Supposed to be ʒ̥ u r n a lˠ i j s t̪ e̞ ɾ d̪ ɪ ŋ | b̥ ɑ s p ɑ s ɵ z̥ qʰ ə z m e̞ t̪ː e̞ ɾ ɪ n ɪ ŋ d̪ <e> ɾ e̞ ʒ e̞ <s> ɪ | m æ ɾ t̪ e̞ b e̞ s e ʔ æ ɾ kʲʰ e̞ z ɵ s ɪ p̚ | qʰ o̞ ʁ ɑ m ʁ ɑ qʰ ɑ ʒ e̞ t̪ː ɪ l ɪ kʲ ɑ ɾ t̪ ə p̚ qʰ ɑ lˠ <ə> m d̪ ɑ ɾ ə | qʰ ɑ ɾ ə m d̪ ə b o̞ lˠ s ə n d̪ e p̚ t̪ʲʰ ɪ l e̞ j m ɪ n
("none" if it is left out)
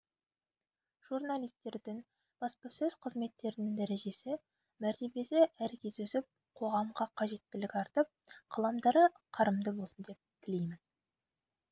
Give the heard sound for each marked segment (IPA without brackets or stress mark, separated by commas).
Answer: æ, s, ɑ